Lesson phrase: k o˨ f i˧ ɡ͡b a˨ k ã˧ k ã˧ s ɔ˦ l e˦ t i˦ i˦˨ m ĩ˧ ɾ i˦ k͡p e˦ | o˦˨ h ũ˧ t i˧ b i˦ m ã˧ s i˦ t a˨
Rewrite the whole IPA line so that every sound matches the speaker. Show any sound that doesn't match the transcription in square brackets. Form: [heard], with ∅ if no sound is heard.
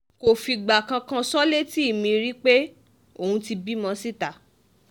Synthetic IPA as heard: k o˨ f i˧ ɡ͡b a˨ k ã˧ k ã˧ s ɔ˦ l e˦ t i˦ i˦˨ m ĩ˧ ɾ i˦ k͡p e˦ | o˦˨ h ũ˧ t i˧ b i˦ m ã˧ s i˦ t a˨